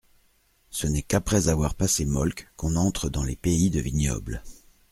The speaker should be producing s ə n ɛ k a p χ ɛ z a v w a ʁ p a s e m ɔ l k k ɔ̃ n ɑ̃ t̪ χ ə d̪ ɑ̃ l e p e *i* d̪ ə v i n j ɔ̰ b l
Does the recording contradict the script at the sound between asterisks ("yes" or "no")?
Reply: no